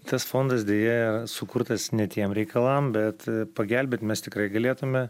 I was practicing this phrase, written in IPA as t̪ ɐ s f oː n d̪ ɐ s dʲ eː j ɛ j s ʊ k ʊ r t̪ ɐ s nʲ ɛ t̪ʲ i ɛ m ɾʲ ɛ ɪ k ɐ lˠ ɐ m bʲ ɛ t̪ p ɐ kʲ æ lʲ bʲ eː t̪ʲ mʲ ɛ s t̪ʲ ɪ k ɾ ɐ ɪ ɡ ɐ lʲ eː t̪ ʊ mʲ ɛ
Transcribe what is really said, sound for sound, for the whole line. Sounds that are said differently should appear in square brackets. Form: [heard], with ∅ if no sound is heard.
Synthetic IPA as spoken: t̪ ɐ s f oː n d̪ ɐ s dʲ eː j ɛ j s ʊ k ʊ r t̪ ɐ s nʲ ɛ t̪ʲ i ɛ m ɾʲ ɛ ɪ k ɐ lˠ ɐ m bʲ ɛ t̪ p ɐ [ɡʲ] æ lʲ bʲ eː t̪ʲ mʲ ɛ s t̪ʲ ɪ k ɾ ɐ ɪ ɡ ɐ lʲ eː t̪ ʊ mʲ ɛ

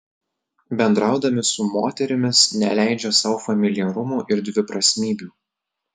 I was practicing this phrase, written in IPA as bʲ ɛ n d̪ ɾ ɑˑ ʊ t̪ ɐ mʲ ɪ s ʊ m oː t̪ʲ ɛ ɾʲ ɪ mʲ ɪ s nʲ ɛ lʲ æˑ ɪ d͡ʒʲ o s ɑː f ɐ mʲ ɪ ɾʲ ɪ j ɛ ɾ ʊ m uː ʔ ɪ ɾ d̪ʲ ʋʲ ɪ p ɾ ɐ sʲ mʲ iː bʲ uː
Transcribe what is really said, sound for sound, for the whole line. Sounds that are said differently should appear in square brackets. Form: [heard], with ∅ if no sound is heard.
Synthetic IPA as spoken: bʲ ɛ n d̪ ɾ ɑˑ ʊ [d̪] ɐ mʲ ɪ s ʊ m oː t̪ʲ ɛ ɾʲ ɪ mʲ ɪ s nʲ ɛ lʲ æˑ ɪ d͡ʒʲ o s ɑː f ɐ mʲ ɪ [lʲ] ɪ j ɛ ɾ ʊ m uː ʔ ɪ ɾ d̪ʲ ʋʲ ɪ p ɾ ɐ sʲ mʲ iː bʲ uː

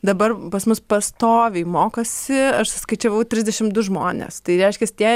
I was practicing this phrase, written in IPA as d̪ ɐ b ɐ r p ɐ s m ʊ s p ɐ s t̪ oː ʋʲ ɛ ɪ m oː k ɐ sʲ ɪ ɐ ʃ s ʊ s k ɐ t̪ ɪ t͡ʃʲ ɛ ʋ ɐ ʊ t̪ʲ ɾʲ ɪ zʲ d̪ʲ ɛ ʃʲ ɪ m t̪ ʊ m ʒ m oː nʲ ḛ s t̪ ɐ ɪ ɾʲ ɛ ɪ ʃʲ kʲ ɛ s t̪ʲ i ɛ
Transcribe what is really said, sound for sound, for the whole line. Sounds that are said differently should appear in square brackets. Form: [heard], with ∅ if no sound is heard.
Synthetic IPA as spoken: d̪ ɐ b ɐ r p ɐ s m ʊ s p ɐ s t̪ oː ʋʲ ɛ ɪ m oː k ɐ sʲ ɪ ɐ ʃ s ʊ s k ɐ [∅] ɪ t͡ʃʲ ɛ ʋ ɐ ʊ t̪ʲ ɾʲ ɪ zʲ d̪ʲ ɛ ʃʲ ɪ m [d̪] ʊ [∅] ʒ m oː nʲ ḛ s t̪ ɐ ɪ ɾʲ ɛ ɪ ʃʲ kʲ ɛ s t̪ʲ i ɛ

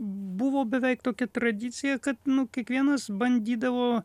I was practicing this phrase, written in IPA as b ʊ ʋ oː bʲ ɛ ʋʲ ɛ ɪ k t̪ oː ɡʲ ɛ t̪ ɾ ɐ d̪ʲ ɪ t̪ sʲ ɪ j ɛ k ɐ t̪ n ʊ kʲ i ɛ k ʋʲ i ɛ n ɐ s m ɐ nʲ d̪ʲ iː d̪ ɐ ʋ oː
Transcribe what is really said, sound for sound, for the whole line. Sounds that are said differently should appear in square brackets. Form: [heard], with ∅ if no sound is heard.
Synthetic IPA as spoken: b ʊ ʋ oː bʲ ɛ ʋʲ ɛ ɪ k t̪ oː [kʲ] ɛ t̪ ɾ ɐ d̪ʲ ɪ t̪ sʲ ɪ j ɛ k ɐ t̪ n ʊ kʲ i ɛ k ʋʲ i ɛ n ɐ s [b] ɐ nʲ d̪ʲ iː d̪ ɐ ʋ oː

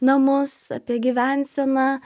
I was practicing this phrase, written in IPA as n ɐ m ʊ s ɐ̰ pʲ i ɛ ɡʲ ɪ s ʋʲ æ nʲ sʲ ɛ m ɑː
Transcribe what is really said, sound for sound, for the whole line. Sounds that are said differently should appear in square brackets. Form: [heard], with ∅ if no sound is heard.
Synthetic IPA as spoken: n ɐ m ʊ s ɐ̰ pʲ i ɛ ɡʲ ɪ [∅] ʋʲ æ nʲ sʲ ɛ [n] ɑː

